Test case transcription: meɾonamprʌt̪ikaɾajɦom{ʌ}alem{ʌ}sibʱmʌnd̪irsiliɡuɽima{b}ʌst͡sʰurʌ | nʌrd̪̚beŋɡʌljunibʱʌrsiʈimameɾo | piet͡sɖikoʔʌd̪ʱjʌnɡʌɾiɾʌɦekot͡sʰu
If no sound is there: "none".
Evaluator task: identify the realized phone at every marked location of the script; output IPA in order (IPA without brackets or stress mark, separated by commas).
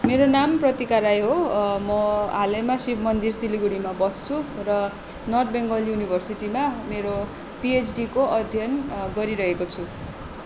ʌ, a, b